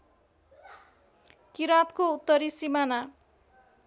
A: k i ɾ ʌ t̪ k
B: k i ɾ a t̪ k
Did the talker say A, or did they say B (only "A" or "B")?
B